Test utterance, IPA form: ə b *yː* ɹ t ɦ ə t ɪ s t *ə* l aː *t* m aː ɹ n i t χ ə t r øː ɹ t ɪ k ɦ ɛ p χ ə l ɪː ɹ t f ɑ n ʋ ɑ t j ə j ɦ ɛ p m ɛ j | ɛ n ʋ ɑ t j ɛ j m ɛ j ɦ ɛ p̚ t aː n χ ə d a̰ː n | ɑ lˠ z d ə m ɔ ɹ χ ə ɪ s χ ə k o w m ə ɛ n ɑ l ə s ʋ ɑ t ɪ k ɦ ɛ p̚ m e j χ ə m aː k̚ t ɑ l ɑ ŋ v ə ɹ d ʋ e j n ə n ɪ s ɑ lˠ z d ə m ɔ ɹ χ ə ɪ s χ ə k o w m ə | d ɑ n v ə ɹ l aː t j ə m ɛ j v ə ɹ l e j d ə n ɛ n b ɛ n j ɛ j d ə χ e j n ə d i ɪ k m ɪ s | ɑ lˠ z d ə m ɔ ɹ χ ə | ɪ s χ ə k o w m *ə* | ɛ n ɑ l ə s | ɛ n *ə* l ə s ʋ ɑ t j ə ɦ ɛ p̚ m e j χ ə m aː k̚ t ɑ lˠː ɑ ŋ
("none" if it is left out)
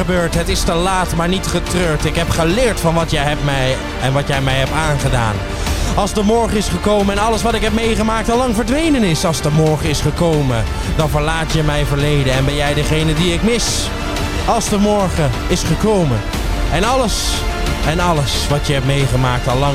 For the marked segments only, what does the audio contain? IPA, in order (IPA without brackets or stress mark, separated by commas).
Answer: øː, ə, t, ə, ɑ